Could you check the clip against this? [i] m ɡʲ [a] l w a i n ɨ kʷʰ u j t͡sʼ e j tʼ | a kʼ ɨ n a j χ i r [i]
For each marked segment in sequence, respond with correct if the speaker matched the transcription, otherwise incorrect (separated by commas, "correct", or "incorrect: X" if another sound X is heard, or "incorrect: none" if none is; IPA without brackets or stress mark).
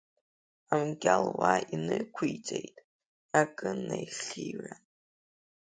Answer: incorrect: a, correct, incorrect: a